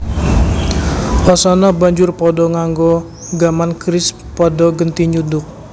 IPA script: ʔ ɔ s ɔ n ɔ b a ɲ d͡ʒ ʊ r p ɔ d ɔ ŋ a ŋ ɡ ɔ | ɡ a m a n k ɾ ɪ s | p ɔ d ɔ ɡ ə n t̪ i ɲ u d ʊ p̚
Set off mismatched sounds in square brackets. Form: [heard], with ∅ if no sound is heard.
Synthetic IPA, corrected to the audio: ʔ ɔ s ɔ n ɔ b a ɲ d͡ʒ ʊ r p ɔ d ɔ ŋ a ŋ ɡ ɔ | ɡ a m a n k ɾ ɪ s | p ɔ d ɔ ɡ ə n t̪ i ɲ u d ʊ [k̚]